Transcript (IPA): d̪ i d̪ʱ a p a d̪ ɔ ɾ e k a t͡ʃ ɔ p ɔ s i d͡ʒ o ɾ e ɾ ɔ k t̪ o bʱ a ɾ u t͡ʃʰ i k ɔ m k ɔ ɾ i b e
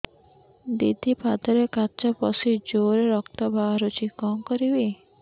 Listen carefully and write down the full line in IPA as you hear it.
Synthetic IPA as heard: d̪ i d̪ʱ i p a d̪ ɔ ɾ e k a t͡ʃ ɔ p ɔ s i d͡ʒ o ɾ e ɾ ɔ k t̪ ɔ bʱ a ɾ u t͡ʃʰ i k ɔ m k ɔ ɾ i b e